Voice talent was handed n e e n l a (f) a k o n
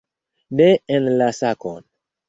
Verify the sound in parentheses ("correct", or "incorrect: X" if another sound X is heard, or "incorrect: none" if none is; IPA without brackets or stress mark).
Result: incorrect: s